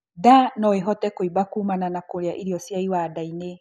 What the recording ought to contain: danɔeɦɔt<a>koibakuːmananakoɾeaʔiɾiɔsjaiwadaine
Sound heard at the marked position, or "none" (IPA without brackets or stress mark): ɛ